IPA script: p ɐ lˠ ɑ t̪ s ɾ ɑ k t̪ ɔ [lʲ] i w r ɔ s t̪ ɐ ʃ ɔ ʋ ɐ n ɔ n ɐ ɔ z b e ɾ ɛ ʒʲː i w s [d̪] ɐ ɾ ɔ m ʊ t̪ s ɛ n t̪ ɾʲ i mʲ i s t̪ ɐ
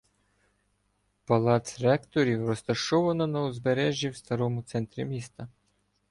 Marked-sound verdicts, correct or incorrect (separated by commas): incorrect, incorrect